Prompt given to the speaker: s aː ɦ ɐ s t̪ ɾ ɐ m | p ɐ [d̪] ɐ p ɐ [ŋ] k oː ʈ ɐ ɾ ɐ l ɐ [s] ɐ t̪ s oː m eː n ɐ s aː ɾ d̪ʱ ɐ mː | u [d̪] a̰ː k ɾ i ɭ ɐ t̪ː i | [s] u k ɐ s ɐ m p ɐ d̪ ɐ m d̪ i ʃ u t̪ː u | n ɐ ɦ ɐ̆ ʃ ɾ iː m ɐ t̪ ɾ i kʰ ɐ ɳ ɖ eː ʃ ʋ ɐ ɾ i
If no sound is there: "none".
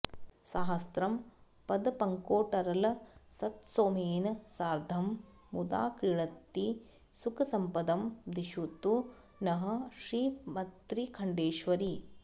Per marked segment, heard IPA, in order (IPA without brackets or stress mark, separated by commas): d̪, ŋ, s, d̪, s